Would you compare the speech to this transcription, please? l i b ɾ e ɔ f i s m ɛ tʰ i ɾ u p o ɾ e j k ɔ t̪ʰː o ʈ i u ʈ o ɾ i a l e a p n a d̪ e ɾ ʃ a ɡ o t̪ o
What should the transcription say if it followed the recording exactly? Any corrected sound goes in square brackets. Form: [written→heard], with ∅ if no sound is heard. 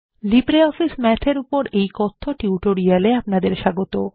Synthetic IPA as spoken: l i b ɾ e ɔ f i s m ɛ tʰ [i→e] ɾ u p o ɾ e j k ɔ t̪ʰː o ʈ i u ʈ o ɾ i a l e a p n a d̪ e ɾ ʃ a ɡ o t̪ o

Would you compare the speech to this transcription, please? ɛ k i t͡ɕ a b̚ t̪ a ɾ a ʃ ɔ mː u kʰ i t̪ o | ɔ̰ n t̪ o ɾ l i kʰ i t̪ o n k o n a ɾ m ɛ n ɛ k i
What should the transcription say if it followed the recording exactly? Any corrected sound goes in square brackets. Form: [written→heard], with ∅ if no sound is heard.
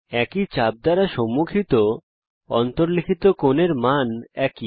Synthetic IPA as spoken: ɛ k i t͡ɕ a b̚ [t̪→d̪] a ɾ a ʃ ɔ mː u kʰ i t̪ o | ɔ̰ n t̪ o ɾ l i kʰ i t̪ o [n→∅] k o n [a→e] ɾ m [ɛ→a] n ɛ k i

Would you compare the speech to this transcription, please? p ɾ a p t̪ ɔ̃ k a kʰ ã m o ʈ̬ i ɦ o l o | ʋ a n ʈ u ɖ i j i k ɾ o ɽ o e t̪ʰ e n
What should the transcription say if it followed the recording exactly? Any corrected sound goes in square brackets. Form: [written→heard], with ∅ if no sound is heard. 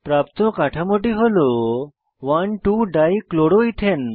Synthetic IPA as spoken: p ɾ a p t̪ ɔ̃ k a [kʰ→ʈʰ] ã m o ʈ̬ i ɦ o l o | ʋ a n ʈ u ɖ [i→a] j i k [ɾ→l] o ɽ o [e→i] t̪ʰ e n

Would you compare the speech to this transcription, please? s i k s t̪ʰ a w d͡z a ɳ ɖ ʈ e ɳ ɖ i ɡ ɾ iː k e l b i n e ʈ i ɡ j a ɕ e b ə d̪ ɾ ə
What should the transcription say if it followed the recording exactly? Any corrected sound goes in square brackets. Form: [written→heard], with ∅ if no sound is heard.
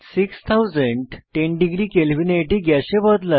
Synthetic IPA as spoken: s i k s t̪ʰ a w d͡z [a→ə] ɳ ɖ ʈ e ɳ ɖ i ɡ ɾ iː k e l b i n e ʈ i ɡ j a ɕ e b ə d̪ [ɾ→l] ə

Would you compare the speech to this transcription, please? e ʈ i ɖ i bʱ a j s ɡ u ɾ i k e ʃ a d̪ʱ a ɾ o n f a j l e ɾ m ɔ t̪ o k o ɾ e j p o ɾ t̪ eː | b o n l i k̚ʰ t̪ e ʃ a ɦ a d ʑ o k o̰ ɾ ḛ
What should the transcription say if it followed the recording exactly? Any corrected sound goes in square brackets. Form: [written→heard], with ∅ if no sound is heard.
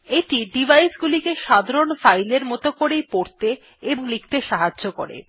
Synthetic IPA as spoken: e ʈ i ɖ i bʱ a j s ɡ u [ɾ→l] i k e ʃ a d̪ʱ a ɾ o n f a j l e ɾ m ɔ t̪ o k o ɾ e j p o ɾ t̪ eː | b o [n→ŋ] l i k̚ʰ t̪ e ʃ a ɦ a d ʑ o k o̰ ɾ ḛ

